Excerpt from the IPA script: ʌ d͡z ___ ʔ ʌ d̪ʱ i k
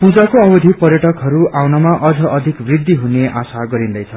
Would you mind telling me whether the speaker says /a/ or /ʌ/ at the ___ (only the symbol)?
ʌ